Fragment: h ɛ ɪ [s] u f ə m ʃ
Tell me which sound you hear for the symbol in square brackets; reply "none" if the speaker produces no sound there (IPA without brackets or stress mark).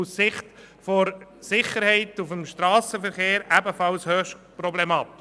t